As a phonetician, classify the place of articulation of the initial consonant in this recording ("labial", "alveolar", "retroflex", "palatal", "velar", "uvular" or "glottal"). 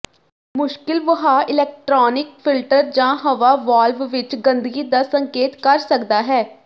labial